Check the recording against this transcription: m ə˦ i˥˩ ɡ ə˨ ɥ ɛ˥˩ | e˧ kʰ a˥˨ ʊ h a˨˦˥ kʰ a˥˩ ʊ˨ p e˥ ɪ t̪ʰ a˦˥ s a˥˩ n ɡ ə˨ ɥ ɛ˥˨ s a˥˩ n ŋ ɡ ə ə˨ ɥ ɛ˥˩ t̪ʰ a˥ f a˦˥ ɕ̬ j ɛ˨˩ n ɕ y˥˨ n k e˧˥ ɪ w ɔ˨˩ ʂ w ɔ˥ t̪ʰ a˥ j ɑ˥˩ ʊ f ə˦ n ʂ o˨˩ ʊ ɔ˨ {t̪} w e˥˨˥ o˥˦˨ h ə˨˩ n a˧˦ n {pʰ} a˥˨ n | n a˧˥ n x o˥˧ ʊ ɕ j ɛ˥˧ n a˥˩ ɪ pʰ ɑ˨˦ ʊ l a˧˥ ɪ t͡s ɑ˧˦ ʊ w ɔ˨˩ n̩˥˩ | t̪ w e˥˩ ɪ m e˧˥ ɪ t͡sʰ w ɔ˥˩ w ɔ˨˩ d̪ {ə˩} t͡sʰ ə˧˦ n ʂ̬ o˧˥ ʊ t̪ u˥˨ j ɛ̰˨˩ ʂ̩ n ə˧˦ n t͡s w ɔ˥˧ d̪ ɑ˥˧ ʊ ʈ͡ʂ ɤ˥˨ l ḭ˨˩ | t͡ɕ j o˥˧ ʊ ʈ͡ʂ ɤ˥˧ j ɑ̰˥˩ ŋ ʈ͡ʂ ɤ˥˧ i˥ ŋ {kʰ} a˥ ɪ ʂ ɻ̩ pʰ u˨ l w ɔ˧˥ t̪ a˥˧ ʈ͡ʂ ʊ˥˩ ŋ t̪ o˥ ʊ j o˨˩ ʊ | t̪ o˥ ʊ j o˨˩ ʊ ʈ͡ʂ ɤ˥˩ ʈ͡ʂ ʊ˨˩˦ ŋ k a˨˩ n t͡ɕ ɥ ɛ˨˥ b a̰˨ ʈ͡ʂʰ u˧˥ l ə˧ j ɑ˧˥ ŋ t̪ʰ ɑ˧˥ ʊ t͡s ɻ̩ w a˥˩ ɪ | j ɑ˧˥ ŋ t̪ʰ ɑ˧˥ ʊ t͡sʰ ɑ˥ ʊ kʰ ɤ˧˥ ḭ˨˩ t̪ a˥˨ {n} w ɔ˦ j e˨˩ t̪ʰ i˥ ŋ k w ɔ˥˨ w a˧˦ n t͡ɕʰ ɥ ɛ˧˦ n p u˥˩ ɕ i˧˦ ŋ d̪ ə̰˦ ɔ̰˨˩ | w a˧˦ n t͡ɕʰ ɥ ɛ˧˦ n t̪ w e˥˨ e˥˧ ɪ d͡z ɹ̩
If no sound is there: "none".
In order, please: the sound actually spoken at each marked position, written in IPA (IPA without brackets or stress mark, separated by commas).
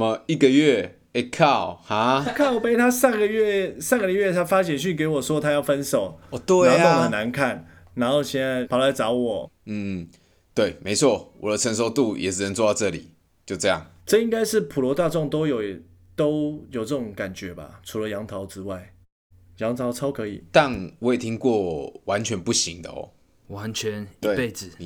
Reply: t̪, kʰ, ə˦, k, n